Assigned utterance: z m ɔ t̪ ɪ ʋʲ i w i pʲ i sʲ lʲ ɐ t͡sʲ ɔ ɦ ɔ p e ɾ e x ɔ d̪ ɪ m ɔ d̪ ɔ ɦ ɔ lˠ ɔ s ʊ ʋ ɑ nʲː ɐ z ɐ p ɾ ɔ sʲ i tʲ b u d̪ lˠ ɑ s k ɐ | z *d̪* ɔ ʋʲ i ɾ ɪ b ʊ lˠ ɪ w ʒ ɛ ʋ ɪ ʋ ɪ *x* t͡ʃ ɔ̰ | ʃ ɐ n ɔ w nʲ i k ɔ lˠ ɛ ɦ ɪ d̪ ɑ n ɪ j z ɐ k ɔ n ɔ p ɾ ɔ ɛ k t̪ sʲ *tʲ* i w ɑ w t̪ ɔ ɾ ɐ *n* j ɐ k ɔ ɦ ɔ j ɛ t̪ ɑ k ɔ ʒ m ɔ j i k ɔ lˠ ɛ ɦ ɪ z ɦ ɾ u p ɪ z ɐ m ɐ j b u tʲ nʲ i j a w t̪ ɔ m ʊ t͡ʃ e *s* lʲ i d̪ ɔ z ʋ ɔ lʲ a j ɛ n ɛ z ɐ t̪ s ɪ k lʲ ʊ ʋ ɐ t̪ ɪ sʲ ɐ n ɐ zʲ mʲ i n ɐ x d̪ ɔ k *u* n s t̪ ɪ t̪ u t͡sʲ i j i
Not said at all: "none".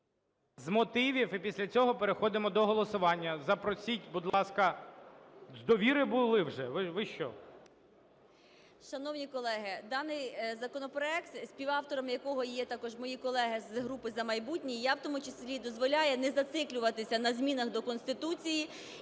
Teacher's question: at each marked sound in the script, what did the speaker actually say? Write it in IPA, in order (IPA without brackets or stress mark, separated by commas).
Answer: d̪, ʃ, pʲ, m, s, ɔ